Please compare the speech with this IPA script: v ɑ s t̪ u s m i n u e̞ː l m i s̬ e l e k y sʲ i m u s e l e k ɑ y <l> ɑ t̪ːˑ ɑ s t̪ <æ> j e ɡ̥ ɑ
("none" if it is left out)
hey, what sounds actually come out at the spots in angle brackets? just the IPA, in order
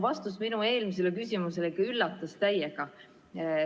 lː, æ

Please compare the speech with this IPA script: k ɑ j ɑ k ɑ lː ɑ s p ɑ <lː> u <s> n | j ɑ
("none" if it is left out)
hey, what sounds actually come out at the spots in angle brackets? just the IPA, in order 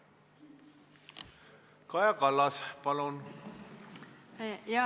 l, none

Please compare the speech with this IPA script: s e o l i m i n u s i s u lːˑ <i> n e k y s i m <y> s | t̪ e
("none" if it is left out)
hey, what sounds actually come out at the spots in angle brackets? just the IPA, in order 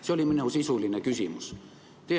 i, y

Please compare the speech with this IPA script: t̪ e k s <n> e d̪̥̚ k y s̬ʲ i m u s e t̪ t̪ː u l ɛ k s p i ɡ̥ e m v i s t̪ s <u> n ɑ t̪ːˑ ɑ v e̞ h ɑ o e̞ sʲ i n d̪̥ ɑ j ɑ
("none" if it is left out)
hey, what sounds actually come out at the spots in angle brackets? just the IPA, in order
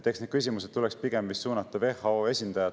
n, uː

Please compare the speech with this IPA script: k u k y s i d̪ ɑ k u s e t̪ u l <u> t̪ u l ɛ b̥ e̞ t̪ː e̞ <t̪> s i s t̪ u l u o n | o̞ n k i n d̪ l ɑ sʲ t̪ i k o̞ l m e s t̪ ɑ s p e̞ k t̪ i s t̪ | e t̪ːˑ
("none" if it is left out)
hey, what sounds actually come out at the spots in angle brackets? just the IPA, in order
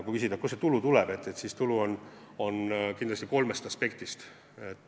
u, t̪

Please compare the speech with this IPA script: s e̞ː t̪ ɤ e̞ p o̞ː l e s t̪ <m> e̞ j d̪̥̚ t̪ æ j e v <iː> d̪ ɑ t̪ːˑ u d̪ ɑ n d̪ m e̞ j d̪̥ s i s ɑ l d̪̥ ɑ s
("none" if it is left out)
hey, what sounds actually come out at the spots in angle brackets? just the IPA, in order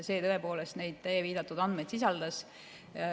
n, iː

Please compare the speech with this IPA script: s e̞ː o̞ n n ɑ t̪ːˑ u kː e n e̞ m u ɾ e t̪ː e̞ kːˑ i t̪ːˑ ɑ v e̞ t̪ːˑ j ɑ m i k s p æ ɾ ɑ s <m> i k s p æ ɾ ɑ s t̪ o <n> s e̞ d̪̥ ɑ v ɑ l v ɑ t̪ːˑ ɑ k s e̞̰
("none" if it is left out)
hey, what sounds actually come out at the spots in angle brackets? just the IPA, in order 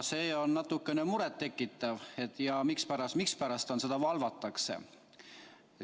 m, n

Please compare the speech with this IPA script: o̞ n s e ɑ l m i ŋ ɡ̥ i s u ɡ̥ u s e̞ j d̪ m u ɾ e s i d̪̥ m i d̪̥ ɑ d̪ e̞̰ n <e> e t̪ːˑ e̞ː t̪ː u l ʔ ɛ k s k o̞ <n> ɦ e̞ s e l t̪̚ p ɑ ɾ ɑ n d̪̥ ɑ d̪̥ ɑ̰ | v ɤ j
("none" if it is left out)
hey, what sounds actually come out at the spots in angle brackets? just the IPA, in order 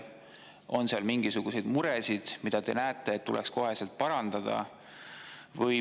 æ, none

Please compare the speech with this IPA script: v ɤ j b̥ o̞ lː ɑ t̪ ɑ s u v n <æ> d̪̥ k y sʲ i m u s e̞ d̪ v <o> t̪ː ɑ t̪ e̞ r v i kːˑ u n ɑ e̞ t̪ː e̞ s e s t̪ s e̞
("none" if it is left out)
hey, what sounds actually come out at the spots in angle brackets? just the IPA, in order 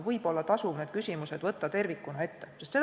e, ɤ

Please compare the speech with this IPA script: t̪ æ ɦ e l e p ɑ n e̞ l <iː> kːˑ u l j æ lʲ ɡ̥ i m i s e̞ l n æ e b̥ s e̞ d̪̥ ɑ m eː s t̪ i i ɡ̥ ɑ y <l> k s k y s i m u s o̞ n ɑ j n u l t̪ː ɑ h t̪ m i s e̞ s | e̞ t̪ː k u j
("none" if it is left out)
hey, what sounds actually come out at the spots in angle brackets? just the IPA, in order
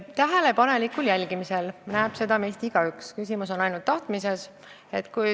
i, none

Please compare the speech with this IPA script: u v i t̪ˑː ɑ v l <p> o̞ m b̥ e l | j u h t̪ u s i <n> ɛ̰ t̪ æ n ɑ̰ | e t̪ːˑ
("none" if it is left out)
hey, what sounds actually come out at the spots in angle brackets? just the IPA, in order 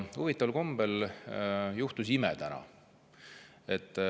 k, m

